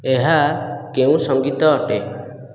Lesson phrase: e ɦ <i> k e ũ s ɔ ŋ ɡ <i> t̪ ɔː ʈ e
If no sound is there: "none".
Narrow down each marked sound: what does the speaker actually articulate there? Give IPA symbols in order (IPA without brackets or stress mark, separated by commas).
a, i